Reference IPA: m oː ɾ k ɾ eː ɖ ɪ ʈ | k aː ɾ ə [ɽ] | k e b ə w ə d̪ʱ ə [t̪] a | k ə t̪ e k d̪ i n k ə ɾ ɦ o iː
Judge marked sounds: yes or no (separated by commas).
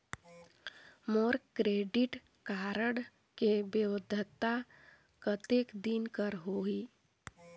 yes, yes